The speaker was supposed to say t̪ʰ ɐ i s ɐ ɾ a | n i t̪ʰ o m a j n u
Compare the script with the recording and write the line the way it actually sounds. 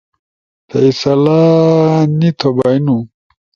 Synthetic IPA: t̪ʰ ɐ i s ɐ l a | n i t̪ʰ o b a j n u